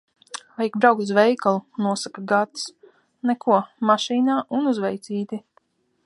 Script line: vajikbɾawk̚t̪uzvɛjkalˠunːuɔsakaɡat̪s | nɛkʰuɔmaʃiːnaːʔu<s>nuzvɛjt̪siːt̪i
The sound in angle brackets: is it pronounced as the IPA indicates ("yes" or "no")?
no